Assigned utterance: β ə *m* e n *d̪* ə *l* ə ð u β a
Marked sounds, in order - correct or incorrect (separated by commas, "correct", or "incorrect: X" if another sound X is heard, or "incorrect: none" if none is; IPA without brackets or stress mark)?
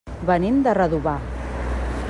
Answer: incorrect: n, correct, incorrect: r